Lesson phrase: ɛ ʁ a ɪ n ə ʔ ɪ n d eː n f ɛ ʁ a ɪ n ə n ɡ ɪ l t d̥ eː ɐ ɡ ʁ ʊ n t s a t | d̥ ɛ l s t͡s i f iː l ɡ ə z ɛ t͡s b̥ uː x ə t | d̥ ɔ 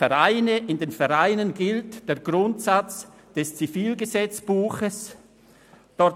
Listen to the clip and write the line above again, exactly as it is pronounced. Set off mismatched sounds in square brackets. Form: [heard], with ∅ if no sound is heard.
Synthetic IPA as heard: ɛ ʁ a ɪ n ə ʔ ɪ n d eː n f ɛ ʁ a ɪ n ə n ɡ ɪ l t d̥ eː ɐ ɡ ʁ ʊ n t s a [t͡s] | d̥ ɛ [∅] s t͡s i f iː l ɡ ə z ɛ t͡s b̥ uː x ə [s] | d̥ ɔ